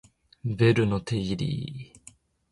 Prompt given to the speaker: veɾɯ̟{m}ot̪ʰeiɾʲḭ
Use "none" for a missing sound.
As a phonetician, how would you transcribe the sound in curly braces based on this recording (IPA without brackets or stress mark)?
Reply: n